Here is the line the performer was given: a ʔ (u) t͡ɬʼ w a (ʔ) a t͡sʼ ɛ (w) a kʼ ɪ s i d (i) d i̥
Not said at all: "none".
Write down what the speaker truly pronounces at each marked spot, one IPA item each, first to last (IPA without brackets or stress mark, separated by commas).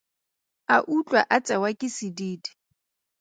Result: u, ʔ, w, iː